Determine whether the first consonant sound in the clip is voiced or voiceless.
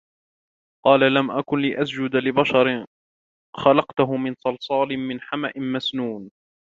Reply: voiceless